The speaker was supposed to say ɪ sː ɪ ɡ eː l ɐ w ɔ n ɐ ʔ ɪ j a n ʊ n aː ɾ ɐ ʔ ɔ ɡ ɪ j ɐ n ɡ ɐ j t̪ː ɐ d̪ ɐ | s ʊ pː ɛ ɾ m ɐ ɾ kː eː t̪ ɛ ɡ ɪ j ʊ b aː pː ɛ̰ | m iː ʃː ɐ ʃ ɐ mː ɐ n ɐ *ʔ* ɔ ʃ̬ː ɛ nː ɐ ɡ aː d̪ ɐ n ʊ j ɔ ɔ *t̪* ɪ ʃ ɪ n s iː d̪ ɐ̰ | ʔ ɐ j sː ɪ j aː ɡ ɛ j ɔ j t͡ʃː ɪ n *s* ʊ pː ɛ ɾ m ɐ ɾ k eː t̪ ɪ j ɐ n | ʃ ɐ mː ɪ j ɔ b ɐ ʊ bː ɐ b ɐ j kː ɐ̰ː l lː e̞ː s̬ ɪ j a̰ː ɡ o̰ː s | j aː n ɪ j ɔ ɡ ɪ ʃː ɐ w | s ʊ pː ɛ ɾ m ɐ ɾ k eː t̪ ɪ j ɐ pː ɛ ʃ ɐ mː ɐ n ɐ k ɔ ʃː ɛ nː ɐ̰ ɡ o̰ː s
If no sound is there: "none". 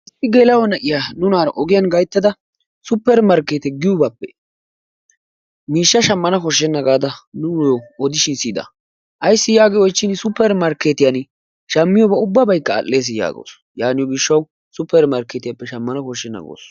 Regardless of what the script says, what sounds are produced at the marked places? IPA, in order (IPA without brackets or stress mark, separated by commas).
k, d̪, s